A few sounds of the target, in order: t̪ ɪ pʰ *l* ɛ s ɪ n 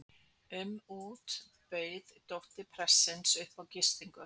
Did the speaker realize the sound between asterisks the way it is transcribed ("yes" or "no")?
no